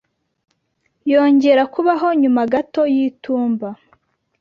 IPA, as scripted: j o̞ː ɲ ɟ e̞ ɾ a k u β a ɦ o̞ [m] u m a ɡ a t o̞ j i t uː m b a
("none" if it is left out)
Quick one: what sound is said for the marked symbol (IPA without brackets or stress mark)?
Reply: ɲ